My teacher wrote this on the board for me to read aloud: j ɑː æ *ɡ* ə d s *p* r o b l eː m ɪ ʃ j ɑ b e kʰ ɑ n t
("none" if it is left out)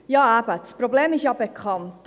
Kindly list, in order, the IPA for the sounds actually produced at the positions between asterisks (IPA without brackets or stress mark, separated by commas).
b, p